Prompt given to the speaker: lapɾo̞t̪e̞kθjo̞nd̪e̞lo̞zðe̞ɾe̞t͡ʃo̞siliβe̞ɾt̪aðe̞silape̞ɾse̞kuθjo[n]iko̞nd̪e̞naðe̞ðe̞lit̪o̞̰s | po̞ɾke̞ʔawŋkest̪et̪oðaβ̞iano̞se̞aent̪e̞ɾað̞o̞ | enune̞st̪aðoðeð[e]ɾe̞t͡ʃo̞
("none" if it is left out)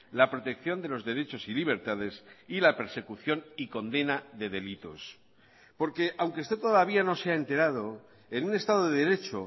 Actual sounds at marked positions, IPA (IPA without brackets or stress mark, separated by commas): n, e